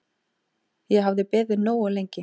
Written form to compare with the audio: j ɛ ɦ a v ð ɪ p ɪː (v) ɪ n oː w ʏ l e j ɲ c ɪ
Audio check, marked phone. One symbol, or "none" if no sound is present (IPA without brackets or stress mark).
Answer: ð